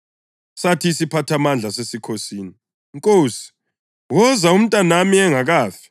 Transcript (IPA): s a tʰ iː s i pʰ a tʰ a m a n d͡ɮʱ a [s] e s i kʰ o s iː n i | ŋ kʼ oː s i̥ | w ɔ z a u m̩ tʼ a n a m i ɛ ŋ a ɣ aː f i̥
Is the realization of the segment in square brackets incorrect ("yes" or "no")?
no